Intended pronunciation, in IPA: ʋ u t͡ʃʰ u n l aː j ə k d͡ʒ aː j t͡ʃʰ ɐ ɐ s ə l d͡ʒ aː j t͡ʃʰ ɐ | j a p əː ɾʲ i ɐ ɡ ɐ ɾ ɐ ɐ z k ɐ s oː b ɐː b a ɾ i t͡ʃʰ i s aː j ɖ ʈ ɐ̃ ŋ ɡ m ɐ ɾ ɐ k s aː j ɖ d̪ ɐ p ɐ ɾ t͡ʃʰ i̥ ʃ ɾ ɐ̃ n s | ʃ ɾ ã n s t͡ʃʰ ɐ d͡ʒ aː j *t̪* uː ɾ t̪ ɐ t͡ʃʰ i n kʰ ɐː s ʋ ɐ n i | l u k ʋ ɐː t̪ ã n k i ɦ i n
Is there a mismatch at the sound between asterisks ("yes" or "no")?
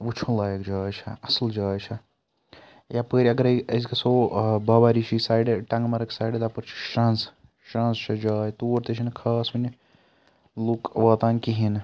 no